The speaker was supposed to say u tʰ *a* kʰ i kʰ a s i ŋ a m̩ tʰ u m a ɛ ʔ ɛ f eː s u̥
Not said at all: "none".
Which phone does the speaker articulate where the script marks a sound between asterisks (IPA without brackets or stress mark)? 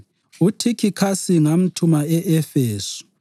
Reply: i